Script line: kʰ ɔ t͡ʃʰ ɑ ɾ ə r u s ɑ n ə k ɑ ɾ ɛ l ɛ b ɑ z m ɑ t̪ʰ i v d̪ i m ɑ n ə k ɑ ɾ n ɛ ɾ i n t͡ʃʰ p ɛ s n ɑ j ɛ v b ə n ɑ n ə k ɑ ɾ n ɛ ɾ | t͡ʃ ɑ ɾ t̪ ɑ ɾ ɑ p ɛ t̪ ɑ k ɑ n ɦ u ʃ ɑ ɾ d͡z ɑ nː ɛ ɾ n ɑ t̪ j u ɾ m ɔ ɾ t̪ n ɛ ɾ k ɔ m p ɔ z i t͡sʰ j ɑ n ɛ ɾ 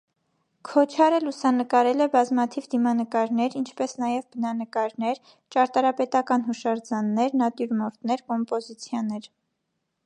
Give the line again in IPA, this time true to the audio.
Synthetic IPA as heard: kʰ ɔ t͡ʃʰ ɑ ɾ ə l u s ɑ n ə k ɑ ɾ ɛ l ɛ b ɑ z m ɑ t̪ʰ i v d̪ i m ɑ n ə k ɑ ɾ n ɛ ɾ i n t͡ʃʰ p ɛ s n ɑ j ɛ v b ə n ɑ n ə k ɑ ɾ n ɛ ɾ | t͡ʃ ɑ ɾ t̪ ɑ ɾ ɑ p ɛ t̪ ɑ k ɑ n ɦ u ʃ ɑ ɾ d͡z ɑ nː ɛ ɾ n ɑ t̪ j u ɾ m ɔ ɾ t̪ n ɛ ɾ k ɔ m p ɔ z i t͡sʰ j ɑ n ɛ ɾ